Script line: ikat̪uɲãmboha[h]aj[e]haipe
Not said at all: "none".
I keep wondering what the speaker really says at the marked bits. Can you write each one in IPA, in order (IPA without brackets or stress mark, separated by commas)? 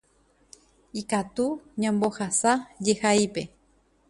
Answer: s, e